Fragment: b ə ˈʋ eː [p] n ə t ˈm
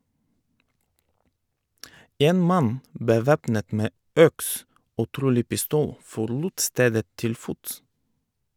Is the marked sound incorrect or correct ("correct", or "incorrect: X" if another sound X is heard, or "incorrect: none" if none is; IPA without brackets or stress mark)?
correct